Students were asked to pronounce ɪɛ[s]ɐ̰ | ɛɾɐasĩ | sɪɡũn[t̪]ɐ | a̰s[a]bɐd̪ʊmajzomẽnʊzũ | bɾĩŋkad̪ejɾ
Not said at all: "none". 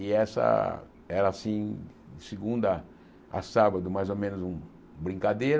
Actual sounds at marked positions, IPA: s, d̪, a

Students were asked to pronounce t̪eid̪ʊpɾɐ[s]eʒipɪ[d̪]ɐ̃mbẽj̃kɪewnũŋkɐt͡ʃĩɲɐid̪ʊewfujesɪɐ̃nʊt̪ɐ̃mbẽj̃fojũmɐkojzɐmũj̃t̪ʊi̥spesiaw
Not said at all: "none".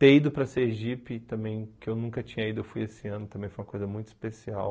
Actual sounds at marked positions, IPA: s, t̪

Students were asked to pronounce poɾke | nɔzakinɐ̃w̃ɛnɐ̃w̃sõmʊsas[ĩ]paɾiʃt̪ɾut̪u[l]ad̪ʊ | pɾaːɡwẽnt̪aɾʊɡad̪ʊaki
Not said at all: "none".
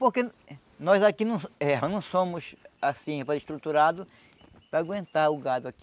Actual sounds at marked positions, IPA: ĩ, ɾ

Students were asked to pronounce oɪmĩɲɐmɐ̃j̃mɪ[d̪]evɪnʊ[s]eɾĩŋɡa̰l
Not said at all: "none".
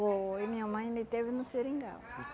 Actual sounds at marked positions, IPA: t̪, s

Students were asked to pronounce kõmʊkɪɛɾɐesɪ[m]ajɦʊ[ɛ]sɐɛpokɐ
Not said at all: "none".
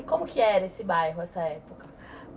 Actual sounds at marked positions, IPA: b, ɛ

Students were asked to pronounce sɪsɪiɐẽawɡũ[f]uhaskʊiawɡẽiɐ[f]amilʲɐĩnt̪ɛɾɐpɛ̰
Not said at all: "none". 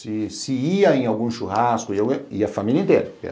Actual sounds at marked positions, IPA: ʃ, f

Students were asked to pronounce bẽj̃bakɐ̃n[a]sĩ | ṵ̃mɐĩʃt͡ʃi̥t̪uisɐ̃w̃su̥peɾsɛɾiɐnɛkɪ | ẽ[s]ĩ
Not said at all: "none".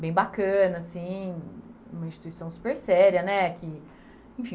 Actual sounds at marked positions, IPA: ɐ, f

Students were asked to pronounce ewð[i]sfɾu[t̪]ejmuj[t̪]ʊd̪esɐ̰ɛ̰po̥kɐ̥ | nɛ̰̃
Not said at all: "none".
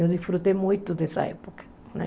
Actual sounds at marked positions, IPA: i, t̪, t̪

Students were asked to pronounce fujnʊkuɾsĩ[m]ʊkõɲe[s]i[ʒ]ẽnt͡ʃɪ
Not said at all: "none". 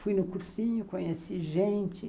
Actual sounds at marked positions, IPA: ɲ, s, ʒ

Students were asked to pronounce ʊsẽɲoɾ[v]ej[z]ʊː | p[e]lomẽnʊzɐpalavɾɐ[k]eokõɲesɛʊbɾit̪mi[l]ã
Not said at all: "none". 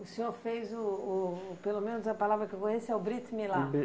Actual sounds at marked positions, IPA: f, z, e, k, l

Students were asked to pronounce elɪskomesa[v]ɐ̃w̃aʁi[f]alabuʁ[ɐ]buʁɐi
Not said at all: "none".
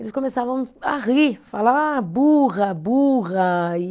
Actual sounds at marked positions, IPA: v, f, ɐ

